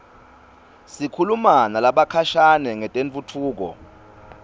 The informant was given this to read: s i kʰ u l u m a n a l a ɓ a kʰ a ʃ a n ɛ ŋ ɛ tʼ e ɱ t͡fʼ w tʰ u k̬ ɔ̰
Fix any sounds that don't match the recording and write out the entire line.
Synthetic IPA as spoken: s i kʰ u l u m a n a l a ɓ a kʰ a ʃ a n ɛ ŋ ɛ tʼ e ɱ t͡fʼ u tʰ uː k̬ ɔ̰